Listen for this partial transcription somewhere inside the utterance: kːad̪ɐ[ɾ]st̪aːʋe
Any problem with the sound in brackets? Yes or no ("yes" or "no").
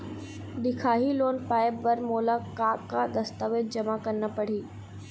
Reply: yes